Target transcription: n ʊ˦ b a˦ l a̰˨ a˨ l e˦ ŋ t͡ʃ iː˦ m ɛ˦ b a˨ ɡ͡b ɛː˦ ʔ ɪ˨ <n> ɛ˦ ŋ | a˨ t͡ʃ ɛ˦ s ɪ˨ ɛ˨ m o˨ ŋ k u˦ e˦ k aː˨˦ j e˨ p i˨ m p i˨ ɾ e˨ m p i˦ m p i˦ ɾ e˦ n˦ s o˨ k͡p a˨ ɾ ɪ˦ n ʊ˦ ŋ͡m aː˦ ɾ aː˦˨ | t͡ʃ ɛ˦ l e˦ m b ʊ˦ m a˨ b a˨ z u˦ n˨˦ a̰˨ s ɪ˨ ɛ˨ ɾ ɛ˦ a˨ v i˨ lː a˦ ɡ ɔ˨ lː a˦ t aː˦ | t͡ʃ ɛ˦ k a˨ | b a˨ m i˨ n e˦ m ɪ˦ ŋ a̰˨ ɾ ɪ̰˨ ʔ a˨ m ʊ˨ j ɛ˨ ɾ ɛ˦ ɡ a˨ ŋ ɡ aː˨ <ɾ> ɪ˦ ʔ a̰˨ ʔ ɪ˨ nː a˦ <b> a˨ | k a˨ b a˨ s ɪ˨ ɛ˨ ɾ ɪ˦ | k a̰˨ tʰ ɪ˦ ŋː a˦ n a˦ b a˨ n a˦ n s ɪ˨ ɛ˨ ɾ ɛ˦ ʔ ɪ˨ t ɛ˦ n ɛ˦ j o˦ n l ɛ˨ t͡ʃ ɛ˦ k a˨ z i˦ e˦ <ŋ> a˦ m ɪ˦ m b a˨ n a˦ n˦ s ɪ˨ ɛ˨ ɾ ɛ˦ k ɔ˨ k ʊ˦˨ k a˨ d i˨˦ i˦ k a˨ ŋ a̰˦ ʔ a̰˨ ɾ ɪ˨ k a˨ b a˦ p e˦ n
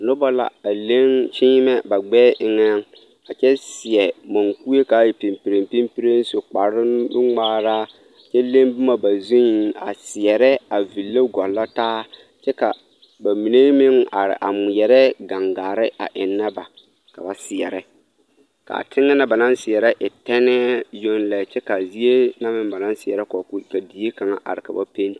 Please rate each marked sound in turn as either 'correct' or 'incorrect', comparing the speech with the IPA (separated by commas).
incorrect, correct, correct, incorrect